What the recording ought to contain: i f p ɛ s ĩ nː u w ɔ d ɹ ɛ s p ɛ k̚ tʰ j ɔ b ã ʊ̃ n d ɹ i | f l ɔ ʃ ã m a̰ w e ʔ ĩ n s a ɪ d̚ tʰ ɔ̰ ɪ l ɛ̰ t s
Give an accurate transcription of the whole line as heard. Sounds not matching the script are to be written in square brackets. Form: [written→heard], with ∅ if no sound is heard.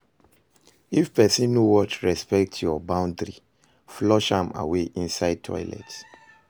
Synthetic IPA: i f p ɛ s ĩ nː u w ɔ [d→t] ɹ ɛ s p ɛ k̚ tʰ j ɔ b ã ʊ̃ n d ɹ i | f l ɔ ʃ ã m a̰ w e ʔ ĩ n s a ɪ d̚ tʰ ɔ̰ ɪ l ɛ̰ t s

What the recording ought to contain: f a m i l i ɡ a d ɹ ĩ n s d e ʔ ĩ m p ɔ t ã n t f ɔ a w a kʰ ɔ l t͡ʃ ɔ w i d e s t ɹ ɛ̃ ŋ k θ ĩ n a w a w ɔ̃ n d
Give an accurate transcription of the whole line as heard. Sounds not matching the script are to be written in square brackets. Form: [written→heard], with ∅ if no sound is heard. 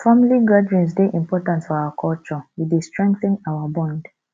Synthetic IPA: f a m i l i ɡ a d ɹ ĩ n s d e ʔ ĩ m p ɔ t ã n t f ɔ a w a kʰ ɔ l t͡ʃ ɔ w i d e s t ɹ ɛ̃ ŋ k θ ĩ n a w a [w→b] ɔ̃ n d

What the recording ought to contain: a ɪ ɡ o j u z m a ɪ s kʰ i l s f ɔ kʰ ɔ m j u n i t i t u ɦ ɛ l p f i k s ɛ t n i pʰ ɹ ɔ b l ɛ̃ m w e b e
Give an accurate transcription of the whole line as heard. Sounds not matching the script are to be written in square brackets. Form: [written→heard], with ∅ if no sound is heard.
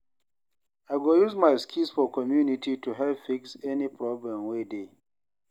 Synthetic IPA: a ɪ ɡ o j u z m a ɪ s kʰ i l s f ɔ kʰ ɔ m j u n i t i t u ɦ ɛ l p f i k s ɛ [t→∅] n i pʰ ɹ ɔ b l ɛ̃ m w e [b→d] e

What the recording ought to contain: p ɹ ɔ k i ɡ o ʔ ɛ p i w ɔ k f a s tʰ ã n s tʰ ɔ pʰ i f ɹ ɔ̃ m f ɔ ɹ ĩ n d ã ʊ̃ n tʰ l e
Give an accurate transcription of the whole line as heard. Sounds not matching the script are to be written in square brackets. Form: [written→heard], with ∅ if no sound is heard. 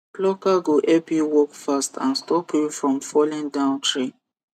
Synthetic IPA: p [ɹ→l] ɔ k [i→a] ɡ o ʔ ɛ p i w ɔ k f a s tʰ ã n s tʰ ɔ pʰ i f ɹ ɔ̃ m f ɔ [ɹ→l] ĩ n d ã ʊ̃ n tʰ [l→ɹ] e

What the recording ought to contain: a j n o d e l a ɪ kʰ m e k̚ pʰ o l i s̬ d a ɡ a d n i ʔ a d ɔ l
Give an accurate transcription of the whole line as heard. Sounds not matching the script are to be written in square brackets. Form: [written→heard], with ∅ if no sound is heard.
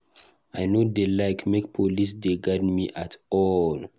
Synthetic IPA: a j n o d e l a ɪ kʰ m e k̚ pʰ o l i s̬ d [a→e] ɡ a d [n→m] i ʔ a [d→t] ɔ l

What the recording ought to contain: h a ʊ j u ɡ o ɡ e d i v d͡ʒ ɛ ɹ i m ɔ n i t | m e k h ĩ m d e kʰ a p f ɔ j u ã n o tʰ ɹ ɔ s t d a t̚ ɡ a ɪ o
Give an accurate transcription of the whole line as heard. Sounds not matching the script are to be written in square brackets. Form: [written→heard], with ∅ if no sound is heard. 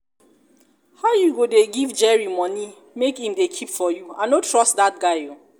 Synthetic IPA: h a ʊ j u ɡ o [ɡ→d] e [d→ɡ] i v d͡ʒ ɛ ɹ i m ɔ n i [t→∅] | m e k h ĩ m d e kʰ [a→i] p f ɔ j u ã n o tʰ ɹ ɔ s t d a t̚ ɡ a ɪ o

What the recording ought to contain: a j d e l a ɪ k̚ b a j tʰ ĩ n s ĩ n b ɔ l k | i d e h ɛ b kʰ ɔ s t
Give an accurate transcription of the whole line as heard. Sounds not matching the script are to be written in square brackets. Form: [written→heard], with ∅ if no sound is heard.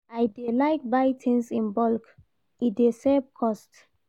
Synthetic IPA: a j d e l a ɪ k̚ b a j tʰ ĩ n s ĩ n b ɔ l k | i d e [h→s] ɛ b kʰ ɔ s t

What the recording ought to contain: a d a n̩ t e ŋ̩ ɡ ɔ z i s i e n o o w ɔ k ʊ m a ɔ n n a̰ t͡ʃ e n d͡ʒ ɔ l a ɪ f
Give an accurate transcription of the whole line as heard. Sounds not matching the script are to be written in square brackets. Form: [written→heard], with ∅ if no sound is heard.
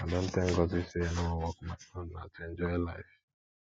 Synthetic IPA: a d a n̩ t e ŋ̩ ɡ ɔ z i s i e n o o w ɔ k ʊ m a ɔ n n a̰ t͡ʃ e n d͡ʒ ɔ l a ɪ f

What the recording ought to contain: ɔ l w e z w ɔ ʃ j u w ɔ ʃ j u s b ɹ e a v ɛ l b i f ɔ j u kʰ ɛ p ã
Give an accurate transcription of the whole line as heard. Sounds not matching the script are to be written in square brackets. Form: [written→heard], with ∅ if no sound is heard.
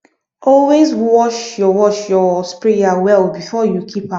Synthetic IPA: ɔ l w e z w ɔ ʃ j [u→ɔ] w ɔ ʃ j [u→ɔ] s [b→p] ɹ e a [v→w] ɛ l b i f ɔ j u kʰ [ɛ→i] p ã

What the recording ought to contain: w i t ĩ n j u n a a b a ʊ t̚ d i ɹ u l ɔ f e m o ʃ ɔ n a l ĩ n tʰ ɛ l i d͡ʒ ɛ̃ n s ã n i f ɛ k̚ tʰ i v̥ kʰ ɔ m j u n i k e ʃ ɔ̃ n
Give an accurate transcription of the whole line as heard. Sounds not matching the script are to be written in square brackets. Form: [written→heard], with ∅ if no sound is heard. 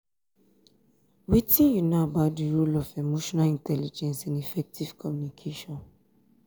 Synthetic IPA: w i t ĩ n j u n a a b a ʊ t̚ d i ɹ u l ɔ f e m o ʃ ɔ n a l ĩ n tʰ ɛ l i d͡ʒ ɛ̃ n s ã n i f ɛ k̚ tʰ i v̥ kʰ ɔ m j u n i [k→kʰ] e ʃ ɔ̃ n

